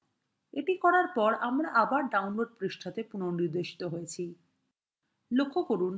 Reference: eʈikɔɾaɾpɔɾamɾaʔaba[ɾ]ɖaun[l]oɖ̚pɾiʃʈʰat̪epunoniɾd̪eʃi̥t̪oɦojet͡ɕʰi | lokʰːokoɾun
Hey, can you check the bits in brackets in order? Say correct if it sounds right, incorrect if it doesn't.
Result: correct, correct

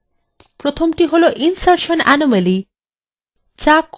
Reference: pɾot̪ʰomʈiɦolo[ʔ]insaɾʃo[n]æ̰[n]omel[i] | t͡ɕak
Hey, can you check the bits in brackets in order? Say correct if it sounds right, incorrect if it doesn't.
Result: correct, correct, correct, correct

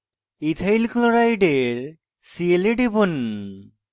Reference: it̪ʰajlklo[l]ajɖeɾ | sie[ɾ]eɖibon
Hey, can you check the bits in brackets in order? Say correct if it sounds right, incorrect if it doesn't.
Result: incorrect: ɾ, incorrect: l

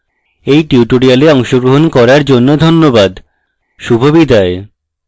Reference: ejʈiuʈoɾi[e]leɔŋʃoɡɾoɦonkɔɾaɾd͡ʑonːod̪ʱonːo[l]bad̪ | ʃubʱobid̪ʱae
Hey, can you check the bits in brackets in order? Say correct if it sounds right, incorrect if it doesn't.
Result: incorrect: a, incorrect: none

